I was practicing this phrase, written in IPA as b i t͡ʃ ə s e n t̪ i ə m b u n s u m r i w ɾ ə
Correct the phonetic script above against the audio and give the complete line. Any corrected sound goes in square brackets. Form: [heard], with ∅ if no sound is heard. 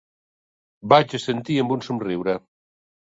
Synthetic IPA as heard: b [a] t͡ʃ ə s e n t̪ i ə m b u n s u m r i w ɾ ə